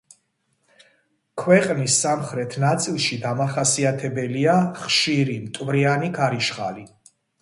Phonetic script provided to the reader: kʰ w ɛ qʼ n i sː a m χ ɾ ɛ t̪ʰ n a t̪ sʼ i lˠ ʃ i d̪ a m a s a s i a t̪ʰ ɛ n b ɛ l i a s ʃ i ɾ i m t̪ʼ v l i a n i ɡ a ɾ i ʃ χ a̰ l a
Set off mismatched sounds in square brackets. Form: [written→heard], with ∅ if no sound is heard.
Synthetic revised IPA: kʰ w ɛ qʼ n i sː a m χ ɾ ɛ t̪ʰ n a t̪ sʼ i lˠ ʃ i d̪ a m a [s→χ] a s i a t̪ʰ ɛ [n→∅] b ɛ l i a [s→χ] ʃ i ɾ i m t̪ʼ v [l→ɾ] i a n i ɡ a ɾ i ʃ χ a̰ l [a→i]